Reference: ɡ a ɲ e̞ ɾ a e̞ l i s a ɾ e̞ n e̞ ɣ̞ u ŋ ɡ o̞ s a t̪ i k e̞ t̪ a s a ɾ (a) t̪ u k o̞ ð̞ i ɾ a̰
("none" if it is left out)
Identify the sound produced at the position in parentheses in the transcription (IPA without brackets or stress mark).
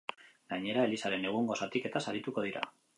i